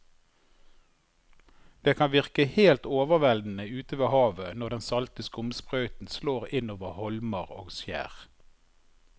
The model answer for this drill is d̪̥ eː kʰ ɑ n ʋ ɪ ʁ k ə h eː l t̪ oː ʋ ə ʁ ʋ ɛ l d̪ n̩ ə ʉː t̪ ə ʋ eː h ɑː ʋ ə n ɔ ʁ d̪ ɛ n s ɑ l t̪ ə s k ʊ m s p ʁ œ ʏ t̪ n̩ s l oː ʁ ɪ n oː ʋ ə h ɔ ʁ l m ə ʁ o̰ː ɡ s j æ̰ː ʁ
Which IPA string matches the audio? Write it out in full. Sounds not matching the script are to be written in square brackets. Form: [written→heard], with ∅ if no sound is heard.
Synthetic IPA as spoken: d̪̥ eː kʰ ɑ n ʋ ɪ ʁ k ə h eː l t̪ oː ʋ ə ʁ ʋ ɛ l d̪ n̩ ə ʉː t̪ ə ʋ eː h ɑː ʋ ə n ɔ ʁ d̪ ɛ n s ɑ l t̪ ə s k ʊ m s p ʁ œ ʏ t̪ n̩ s l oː ʁ ɪ n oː ʋ ə h ɔ [ʁ→∅] l m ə ʁ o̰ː ɡ s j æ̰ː ʁ